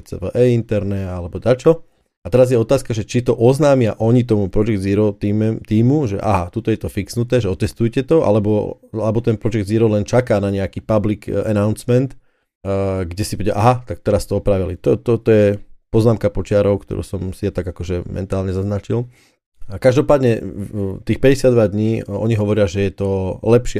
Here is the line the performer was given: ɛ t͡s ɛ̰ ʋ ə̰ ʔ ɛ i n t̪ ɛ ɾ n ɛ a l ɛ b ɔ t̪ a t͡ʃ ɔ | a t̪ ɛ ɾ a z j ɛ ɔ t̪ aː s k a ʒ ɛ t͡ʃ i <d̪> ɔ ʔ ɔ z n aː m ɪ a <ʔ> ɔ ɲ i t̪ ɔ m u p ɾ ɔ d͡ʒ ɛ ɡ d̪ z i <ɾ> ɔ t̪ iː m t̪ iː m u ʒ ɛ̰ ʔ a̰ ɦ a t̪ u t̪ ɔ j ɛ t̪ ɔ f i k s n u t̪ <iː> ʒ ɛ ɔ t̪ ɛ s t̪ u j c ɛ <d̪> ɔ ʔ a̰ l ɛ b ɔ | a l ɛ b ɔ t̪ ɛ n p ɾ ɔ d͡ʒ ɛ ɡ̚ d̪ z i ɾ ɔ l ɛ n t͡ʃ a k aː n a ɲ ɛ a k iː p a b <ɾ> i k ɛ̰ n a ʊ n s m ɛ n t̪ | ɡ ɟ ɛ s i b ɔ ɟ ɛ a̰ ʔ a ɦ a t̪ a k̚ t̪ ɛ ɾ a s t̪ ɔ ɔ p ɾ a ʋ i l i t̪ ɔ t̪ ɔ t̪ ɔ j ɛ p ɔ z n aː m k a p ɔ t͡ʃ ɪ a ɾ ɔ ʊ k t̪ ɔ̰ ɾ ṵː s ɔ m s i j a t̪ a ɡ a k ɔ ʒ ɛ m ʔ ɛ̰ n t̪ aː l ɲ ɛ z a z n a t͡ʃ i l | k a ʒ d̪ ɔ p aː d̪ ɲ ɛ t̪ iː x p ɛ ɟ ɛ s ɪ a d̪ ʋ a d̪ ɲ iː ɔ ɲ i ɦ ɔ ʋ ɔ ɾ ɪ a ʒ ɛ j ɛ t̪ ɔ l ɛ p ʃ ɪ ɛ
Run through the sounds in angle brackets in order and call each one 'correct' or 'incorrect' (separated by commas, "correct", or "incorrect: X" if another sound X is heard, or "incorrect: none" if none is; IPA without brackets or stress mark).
incorrect: t̪, correct, correct, incorrect: ɛː, incorrect: t̪, incorrect: l